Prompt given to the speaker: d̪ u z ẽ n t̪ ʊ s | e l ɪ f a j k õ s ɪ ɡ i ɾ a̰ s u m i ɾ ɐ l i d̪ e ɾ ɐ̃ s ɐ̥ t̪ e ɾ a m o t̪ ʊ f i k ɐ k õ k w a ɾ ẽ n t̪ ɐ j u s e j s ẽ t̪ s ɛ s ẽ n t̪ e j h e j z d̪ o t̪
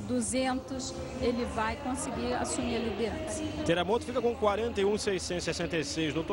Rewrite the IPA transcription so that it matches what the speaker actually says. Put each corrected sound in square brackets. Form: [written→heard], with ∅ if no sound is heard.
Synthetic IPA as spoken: d̪ u z ẽ n t̪ ʊ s | e l ɪ [f→v] a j k õ s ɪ ɡ i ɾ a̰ s u m i ɾ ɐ l i d̪ e ɾ ɐ̃ s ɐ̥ t̪ e ɾ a m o t̪ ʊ f i k ɐ k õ k w a ɾ ẽ n t̪ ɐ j [u→ũ] s e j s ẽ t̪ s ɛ s ẽ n t̪ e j [h→s] e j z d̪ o t̪

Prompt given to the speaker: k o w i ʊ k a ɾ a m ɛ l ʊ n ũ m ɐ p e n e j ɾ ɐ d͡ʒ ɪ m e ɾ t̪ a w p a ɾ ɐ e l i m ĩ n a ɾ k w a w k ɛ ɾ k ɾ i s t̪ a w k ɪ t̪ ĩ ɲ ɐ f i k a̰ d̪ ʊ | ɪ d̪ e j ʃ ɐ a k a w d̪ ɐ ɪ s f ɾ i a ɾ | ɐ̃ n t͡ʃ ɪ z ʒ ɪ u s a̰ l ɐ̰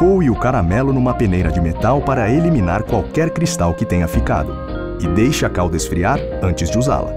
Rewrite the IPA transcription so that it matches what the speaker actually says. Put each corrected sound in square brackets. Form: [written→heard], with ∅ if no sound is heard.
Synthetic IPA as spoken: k o w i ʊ k a ɾ a m ɛ l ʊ n ũ m ɐ p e n e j ɾ ɐ d͡ʒ ɪ m e [ɾ→∅] t̪ a w p a ɾ ɐ e l i m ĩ n a ɾ k w a w k ɛ ɾ k ɾ i s t̪ a w k ɪ t̪ [ĩ→ẽ] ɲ ɐ f i k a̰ d̪ ʊ | ɪ d̪ e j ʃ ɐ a k a w d̪ ɐ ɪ s f ɾ i a ɾ | ɐ̃ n t͡ʃ ɪ z [ʒ→d͡ʒ] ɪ u [s→z] a̰ l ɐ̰

